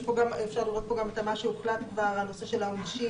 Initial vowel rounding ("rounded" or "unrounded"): rounded